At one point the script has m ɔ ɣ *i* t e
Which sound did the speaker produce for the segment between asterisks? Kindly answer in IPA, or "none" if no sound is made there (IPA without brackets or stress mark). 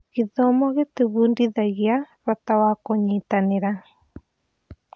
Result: e